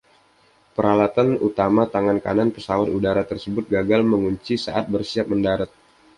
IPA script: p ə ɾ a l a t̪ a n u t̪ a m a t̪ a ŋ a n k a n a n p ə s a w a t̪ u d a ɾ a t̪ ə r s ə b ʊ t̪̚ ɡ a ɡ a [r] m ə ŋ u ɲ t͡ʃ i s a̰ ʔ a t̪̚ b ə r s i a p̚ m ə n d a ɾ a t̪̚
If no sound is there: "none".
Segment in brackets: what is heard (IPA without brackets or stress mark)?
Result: l